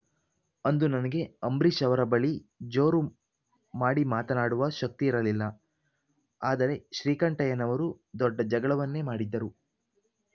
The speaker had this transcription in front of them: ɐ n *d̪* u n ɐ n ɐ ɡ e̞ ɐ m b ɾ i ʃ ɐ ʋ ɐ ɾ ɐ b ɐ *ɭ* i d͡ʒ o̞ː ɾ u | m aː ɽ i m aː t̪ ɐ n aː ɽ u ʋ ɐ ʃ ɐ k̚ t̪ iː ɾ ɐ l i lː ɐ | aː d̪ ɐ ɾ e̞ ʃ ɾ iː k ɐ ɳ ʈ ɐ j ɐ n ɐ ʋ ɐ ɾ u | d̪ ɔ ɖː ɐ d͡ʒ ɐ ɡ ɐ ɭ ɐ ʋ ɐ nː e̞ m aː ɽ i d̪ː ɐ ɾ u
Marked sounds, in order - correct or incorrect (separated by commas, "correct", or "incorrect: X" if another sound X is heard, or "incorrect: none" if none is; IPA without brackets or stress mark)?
correct, correct